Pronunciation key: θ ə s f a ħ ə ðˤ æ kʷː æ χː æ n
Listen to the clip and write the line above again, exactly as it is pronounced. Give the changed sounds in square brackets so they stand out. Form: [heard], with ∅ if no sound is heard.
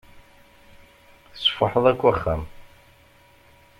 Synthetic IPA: θ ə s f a ħ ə ðˤ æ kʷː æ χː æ [m]